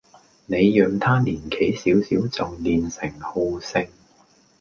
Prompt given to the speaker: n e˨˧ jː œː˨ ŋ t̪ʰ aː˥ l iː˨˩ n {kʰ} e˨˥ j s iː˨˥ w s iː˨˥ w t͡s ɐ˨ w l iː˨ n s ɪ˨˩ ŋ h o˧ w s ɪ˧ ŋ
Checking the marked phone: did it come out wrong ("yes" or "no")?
no